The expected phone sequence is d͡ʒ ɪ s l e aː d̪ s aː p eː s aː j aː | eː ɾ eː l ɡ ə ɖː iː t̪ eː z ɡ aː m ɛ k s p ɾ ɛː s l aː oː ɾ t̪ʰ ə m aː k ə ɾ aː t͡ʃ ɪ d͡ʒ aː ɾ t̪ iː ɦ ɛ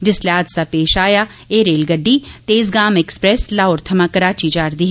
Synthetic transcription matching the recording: d͡ʒ ɪ s l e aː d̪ s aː p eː ʃ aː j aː | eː ɾ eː l ɡ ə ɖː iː t̪ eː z ɡ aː m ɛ k s p ɾ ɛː s l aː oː ɾ t̪ʰ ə m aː k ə ɾ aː t͡ʃ i d͡ʒ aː ɾ d̪ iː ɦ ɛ